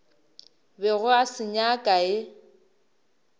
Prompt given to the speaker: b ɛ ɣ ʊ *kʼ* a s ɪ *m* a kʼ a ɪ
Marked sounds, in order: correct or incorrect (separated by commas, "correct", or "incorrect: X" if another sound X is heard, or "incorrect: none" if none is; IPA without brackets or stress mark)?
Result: incorrect: none, incorrect: ɲ